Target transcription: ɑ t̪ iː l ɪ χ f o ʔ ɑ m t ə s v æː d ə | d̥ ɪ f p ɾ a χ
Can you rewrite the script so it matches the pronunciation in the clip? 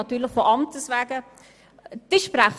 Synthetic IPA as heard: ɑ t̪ yː l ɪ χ f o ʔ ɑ m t ə s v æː ɡ ə | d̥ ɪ ʃ p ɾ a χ